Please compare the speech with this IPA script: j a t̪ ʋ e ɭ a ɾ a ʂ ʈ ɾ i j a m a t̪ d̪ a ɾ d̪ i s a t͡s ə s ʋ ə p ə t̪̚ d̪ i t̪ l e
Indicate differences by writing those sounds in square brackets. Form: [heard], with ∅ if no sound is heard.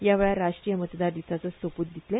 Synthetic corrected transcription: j a [∅] ʋ e ɭ a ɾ a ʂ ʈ ɾ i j [ə] m [ə] t̪ d̪ a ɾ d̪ i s a t͡s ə s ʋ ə p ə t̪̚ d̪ i t̪ l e